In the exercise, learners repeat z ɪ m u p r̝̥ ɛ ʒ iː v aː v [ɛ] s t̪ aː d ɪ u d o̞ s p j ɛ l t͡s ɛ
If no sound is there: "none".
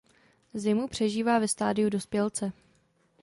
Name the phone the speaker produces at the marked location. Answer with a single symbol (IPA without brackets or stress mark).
ɛ